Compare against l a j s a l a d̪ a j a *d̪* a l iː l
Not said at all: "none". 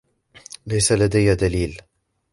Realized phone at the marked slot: d̪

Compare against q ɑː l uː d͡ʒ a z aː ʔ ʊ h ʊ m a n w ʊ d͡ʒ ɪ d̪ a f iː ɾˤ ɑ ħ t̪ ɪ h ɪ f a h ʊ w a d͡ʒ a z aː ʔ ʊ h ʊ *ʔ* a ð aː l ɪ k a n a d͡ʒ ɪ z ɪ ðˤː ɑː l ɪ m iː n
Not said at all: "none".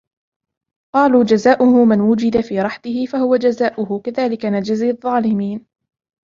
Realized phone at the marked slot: k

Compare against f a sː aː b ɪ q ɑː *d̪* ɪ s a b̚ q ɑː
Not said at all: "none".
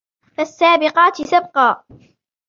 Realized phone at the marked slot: t̪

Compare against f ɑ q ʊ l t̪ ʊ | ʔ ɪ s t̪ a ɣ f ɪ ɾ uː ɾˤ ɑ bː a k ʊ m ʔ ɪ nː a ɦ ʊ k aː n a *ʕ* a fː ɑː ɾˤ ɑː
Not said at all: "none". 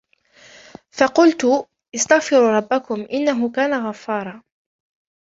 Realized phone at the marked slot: ɣ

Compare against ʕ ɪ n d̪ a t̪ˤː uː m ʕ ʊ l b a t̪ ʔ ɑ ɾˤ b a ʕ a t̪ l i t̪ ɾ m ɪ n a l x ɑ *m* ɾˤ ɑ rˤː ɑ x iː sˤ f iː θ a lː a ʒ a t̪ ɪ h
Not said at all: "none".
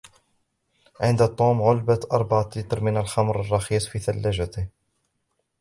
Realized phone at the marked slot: m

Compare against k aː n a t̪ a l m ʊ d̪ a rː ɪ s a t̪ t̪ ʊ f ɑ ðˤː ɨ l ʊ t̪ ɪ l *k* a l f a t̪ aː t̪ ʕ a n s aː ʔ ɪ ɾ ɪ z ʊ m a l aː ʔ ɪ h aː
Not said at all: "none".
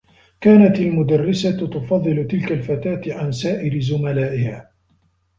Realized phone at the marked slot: k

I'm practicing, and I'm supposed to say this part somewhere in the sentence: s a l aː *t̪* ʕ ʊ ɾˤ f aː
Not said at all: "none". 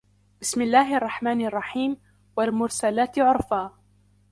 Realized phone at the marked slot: t̪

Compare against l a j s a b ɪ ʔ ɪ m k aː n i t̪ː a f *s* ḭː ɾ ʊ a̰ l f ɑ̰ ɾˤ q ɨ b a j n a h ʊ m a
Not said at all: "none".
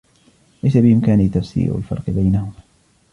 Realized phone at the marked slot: s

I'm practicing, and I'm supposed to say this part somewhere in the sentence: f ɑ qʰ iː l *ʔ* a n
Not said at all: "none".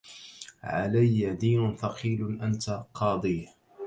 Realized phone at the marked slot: ʔ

